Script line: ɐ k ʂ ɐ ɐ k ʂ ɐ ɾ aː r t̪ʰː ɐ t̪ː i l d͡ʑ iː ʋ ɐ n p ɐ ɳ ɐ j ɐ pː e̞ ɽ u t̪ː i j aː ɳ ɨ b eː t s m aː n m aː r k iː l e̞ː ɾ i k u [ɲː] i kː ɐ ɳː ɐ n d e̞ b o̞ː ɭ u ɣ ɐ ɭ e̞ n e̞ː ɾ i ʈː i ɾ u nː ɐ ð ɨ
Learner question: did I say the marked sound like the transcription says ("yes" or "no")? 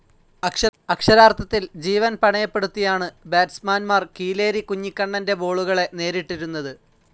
yes